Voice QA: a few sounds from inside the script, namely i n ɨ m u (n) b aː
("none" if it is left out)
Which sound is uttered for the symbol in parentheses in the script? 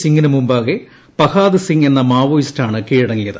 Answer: m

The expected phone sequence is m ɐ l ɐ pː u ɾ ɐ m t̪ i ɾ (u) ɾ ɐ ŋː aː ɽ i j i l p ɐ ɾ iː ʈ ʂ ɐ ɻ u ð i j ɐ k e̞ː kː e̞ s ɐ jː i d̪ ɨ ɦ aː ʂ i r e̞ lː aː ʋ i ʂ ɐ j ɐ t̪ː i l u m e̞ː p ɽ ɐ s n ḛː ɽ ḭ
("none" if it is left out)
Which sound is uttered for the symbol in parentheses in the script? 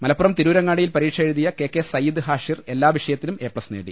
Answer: uː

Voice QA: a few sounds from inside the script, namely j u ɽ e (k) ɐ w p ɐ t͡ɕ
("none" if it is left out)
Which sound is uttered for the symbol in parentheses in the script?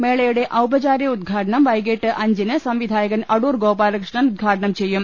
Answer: ʔ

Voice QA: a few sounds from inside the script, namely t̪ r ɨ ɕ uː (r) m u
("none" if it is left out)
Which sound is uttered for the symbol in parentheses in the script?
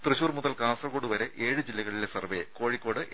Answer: r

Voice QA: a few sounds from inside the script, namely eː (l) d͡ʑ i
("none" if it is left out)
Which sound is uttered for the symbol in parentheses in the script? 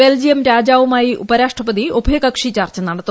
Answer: l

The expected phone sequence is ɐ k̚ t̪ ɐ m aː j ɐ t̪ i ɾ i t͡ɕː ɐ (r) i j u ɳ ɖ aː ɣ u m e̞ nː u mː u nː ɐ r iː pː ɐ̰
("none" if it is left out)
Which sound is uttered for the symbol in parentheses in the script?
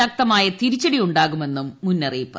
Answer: ɽ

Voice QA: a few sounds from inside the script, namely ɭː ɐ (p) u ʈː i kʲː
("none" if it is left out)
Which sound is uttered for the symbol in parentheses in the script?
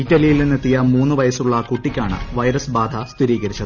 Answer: k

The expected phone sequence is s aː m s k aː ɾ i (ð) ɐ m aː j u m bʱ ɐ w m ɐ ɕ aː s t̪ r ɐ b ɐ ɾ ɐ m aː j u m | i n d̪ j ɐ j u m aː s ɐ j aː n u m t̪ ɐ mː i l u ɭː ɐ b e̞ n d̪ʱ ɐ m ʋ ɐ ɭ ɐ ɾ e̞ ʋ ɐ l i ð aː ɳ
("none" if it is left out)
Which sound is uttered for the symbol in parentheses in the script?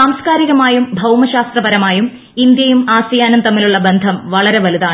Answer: ɣ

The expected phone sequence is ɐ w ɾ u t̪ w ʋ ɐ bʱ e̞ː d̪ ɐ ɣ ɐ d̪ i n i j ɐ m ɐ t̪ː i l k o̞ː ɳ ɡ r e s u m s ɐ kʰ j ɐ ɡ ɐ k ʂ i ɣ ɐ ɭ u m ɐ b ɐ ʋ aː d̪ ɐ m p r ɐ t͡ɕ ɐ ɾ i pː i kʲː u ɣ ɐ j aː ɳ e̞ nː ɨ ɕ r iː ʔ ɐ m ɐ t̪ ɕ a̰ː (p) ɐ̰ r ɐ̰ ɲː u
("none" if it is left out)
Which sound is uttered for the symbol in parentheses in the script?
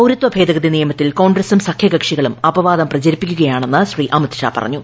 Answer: p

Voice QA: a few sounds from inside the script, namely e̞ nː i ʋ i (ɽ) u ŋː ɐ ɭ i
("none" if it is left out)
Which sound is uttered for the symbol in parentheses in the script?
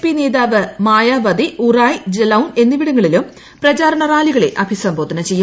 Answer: ɽ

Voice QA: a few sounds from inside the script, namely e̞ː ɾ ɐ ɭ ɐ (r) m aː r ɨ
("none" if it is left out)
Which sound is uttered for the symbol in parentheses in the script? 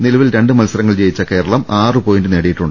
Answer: none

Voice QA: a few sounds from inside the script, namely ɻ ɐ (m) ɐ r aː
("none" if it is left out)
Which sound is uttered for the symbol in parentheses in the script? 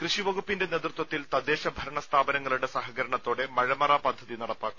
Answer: m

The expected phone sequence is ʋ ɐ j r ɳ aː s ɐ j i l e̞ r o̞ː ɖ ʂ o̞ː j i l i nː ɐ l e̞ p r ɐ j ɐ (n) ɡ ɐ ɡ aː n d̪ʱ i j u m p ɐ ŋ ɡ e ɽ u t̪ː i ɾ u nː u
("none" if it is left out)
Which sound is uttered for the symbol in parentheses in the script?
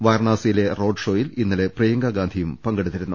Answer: ŋ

